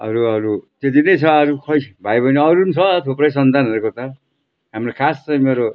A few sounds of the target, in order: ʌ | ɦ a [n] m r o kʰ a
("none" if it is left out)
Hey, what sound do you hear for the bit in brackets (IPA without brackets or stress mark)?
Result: none